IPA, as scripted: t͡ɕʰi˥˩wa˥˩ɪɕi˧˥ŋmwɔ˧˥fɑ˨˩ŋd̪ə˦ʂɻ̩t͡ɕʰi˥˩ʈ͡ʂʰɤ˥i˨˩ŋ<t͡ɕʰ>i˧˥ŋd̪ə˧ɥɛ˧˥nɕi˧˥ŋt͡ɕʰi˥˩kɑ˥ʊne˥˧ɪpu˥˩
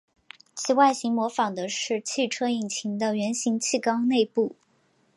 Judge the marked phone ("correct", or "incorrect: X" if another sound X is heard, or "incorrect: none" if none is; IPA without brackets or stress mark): correct